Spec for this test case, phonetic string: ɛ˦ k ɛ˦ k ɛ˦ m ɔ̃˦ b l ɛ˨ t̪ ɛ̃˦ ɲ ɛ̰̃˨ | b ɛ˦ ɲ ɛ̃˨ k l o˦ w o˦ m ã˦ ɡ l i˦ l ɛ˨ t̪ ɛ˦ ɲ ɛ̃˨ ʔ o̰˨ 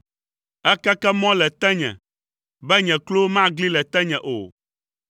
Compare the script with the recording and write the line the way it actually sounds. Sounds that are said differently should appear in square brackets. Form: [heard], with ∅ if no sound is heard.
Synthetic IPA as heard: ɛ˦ k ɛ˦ k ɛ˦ m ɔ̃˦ [∅] l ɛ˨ t̪ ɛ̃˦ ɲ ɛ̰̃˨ | b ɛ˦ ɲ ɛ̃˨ k l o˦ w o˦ m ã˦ ɡ l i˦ l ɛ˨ t̪ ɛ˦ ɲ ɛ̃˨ ʔ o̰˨